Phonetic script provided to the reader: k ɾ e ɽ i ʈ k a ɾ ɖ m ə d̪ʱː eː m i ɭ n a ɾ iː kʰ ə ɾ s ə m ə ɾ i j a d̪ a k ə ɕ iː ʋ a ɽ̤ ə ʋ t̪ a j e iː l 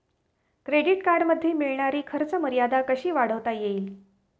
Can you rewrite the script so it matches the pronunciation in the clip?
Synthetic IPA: k ɾ e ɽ i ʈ k a ɾ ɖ m ə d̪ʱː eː m i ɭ ɳ a ɾ iː kʰ ə ɾ t͡s ə m ə ɾ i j a d̪ a k ə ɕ iː ʋ a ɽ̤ ə ʋ t̪ a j e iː l